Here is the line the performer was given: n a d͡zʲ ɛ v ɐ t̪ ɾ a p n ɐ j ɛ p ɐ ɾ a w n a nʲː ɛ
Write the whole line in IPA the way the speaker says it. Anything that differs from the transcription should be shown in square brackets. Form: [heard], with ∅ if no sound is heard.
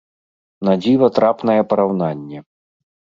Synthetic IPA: n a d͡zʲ [i] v ɐ t̪ ɾ a p n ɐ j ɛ p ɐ ɾ a w n a nʲː ɛ